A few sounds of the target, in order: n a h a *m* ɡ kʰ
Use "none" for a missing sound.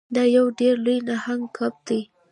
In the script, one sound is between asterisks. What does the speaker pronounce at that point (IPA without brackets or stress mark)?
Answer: ŋ